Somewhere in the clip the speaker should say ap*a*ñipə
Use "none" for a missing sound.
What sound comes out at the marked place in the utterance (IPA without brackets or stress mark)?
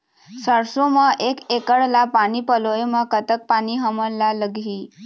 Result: a